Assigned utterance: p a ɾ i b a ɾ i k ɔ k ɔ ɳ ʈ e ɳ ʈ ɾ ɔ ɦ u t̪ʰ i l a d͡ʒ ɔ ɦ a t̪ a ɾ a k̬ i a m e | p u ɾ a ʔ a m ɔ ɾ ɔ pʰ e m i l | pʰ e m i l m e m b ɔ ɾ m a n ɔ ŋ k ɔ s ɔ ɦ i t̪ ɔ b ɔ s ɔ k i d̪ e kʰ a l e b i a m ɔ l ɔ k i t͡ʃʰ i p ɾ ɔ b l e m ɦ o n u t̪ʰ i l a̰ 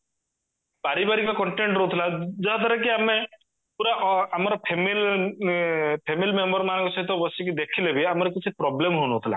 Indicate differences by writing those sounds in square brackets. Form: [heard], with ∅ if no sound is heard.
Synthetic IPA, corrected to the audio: p a ɾ i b a ɾ i k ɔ k ɔ ɳ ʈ e ɳ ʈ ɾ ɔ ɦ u t̪ʰ i l a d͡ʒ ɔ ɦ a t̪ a ɾ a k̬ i a m e | p u ɾ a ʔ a m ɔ ɾ ɔ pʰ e m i l | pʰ e m i l m e m b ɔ ɾ m a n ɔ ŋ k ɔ s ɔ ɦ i t̪ ɔ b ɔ s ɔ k i d̪ e kʰ [i] l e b i a m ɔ [ɾ] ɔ k i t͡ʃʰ i p ɾ ɔ b l e m ɦ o n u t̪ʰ i l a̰